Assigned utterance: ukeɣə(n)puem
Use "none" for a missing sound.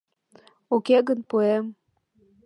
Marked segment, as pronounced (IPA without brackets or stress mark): n